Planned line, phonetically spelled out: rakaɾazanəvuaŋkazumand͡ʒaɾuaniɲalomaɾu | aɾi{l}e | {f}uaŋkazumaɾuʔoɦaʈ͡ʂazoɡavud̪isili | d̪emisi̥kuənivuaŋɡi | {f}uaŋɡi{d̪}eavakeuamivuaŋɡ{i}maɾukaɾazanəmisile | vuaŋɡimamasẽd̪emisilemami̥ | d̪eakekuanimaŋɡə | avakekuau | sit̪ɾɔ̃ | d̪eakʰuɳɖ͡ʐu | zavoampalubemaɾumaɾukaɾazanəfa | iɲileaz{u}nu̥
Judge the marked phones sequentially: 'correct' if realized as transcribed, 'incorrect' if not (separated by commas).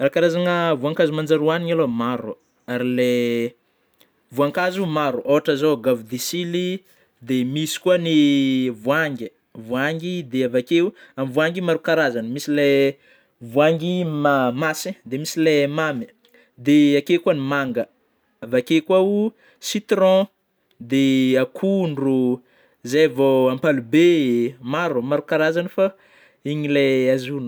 correct, incorrect, incorrect, correct, correct, correct